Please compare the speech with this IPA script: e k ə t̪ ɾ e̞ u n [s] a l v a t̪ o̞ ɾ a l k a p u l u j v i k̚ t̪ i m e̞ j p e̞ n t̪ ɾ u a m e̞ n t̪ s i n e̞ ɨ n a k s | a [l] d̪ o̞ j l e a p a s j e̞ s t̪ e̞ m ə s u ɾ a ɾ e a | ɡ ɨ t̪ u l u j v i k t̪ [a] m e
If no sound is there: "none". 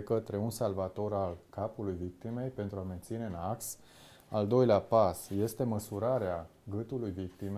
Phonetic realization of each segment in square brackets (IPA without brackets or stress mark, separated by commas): s, l, i